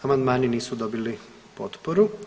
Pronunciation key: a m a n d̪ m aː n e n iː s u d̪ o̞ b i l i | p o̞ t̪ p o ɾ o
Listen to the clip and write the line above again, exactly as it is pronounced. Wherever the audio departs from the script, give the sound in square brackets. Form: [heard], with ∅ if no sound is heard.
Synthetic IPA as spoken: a m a n d̪ m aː n [i] n iː s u d̪ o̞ b i l i | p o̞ t̪ p o ɾ [u]